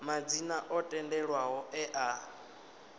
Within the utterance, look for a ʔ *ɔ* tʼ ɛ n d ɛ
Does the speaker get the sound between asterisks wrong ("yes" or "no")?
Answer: no